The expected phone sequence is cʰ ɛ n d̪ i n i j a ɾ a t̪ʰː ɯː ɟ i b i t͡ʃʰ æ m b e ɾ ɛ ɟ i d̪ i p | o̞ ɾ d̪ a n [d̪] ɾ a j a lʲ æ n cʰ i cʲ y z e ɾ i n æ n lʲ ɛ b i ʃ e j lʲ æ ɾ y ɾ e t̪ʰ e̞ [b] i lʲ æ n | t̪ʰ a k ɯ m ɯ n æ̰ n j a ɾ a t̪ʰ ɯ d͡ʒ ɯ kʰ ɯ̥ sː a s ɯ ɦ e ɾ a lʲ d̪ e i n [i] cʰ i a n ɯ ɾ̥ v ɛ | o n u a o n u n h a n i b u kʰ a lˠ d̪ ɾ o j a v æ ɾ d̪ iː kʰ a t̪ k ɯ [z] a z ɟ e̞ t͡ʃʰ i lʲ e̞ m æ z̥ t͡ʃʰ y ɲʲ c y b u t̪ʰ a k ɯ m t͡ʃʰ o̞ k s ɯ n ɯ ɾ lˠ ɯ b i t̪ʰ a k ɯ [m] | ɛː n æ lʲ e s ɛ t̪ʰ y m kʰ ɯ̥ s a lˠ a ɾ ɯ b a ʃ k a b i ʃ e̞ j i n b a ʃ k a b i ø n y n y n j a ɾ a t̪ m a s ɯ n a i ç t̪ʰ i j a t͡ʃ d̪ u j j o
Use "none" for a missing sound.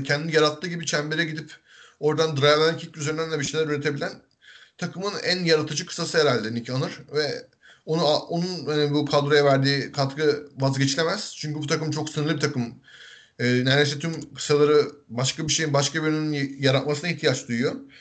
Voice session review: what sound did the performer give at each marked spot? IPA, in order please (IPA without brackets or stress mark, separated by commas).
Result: d̪, b, i, v, m